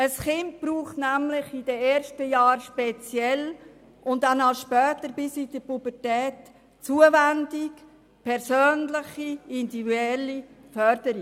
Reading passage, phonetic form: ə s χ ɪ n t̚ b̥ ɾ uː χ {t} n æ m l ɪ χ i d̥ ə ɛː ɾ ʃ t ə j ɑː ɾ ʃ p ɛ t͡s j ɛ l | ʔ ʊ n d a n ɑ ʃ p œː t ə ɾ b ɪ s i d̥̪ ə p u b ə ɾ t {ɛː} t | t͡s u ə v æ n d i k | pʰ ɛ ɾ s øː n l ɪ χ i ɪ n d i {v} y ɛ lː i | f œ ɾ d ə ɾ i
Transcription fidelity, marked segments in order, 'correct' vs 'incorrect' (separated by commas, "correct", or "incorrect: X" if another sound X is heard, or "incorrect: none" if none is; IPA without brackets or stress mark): correct, correct, correct